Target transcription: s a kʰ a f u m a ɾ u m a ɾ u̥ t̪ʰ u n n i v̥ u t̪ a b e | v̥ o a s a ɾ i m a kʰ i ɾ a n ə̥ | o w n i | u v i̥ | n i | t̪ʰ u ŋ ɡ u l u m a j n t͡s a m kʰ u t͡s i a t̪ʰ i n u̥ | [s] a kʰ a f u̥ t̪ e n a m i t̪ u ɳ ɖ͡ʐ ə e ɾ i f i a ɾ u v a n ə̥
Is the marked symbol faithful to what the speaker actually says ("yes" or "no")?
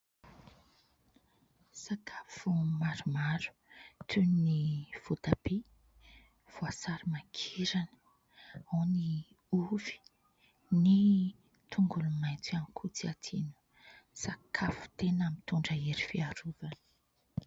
yes